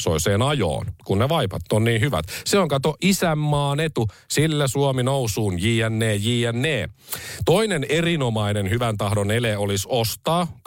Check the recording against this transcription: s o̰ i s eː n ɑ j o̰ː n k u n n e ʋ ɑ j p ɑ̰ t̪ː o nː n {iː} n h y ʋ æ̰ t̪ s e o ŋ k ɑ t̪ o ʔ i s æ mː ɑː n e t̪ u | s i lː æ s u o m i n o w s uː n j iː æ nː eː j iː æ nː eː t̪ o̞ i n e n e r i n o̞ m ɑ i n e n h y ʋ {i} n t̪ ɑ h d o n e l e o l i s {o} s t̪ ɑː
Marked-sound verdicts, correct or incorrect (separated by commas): correct, incorrect, correct